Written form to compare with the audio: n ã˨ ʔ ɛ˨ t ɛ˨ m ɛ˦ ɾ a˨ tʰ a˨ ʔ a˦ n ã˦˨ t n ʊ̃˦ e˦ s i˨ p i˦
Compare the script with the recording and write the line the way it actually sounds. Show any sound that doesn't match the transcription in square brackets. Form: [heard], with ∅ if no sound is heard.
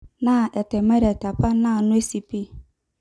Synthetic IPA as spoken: n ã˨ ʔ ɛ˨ t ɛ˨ m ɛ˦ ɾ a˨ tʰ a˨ [p] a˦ n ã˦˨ [∅] n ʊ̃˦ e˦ s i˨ p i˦